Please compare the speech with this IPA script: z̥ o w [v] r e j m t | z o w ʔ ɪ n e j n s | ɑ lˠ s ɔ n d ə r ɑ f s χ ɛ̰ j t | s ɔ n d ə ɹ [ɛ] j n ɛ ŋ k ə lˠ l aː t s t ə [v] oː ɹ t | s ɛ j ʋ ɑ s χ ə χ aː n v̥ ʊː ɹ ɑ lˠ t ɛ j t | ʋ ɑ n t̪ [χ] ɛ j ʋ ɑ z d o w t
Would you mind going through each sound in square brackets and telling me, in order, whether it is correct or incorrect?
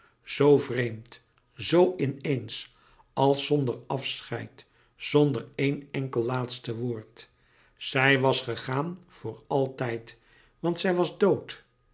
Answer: correct, incorrect, incorrect, incorrect

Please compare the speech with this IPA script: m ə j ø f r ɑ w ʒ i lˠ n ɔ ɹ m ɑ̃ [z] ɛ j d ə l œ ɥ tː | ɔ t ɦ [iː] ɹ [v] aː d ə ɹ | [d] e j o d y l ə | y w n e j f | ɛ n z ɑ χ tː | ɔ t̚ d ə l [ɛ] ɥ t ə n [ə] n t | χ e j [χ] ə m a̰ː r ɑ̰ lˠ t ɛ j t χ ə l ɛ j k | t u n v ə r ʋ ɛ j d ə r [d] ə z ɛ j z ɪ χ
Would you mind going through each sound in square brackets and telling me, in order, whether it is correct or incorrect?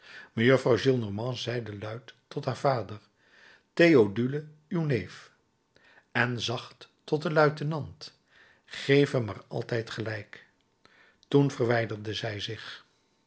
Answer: correct, incorrect, correct, incorrect, incorrect, incorrect, incorrect, correct

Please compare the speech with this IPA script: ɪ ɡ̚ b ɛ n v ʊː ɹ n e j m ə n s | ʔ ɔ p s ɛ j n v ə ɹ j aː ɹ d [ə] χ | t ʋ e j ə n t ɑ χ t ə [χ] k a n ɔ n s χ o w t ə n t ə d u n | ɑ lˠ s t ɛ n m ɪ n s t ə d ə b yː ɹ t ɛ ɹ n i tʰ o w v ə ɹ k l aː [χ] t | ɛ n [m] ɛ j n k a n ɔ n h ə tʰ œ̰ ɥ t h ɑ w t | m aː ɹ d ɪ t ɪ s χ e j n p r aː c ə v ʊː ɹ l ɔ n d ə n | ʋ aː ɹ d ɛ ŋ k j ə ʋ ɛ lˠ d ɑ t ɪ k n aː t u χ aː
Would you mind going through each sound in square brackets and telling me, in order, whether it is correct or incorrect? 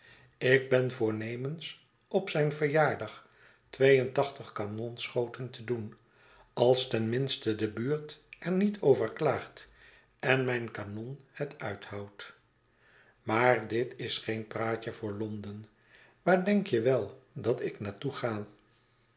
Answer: incorrect, correct, correct, correct

